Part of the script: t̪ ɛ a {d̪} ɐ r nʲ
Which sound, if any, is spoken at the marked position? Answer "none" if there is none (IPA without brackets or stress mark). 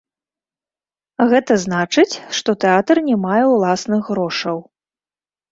t̪